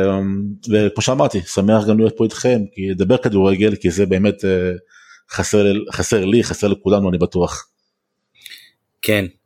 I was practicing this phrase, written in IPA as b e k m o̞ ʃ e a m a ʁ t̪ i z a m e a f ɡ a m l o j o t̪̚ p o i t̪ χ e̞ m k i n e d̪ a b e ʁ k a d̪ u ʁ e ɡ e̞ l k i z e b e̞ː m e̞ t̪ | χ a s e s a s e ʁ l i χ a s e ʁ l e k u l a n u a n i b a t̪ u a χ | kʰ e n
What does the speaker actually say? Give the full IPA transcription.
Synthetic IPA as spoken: v e k m o̞ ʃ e a m a ʁ t̪ i s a m e a χ ɡ a m l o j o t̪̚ p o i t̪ χ e̞ m k i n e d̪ a b e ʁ k a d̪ u ʁ e ɡ e̞ l k i z e b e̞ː m e̞ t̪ | χ a s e χ a s e ʁ l i χ a s e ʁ l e k u l a n u a n i b a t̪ u a χ | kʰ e n